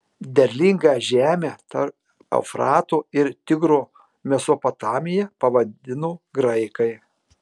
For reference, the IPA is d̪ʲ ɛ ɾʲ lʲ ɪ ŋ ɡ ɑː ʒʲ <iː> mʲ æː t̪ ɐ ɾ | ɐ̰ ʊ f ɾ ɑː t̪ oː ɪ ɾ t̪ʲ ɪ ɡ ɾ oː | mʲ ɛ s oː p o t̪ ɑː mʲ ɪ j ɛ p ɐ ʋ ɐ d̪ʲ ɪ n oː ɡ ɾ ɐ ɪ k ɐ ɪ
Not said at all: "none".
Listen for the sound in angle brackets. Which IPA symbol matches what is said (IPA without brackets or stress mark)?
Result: æː